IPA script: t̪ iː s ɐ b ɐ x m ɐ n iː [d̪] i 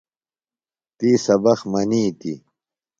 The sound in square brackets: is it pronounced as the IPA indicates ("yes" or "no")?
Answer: no